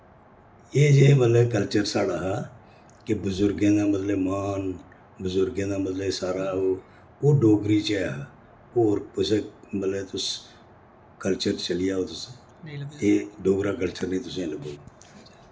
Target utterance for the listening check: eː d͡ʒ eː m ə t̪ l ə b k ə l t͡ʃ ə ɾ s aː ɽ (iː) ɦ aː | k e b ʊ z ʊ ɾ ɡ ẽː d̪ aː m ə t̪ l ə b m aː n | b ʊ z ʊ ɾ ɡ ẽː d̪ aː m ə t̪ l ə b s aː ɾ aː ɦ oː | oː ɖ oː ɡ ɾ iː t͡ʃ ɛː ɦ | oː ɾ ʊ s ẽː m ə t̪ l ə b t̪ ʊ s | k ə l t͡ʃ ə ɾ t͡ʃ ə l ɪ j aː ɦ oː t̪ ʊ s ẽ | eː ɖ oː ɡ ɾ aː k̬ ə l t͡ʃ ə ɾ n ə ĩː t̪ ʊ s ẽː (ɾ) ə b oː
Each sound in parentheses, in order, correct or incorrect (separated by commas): incorrect, incorrect